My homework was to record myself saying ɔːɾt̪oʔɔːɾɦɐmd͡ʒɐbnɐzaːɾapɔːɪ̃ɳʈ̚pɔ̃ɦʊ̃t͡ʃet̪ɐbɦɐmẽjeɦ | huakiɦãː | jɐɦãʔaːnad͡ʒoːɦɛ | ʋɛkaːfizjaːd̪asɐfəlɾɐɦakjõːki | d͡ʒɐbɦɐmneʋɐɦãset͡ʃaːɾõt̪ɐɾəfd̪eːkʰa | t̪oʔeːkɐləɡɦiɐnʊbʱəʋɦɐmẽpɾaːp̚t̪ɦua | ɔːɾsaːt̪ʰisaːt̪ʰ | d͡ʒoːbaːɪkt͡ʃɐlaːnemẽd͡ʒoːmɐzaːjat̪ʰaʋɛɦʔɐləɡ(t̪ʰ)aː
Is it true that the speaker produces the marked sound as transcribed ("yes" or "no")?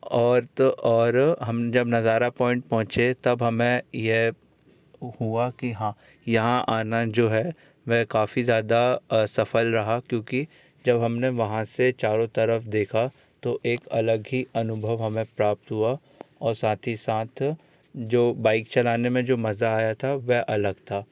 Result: yes